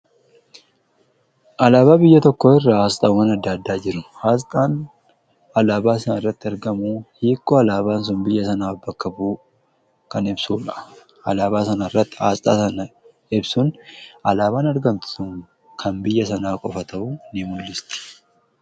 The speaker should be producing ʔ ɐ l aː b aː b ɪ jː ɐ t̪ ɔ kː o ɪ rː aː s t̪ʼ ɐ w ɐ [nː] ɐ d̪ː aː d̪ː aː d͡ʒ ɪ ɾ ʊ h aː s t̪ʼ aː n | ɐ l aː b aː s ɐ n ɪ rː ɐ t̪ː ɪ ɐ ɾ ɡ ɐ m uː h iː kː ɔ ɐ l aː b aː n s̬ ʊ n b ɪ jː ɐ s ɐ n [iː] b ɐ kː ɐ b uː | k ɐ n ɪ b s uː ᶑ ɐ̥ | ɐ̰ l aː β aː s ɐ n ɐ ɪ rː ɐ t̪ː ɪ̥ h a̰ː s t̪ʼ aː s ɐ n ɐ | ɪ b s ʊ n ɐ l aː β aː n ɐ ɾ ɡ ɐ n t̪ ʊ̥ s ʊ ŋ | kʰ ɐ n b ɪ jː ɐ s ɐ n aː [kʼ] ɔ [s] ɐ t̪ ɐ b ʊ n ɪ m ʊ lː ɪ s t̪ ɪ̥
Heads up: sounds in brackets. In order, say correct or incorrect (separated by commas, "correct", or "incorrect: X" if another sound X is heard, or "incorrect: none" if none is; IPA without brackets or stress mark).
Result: incorrect: n, incorrect: aː, correct, incorrect: f